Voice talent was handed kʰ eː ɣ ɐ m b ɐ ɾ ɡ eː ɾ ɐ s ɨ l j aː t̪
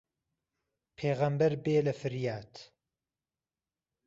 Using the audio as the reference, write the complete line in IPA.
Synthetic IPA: pʰ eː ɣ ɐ m b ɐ ɾ b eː l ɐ f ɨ ɾ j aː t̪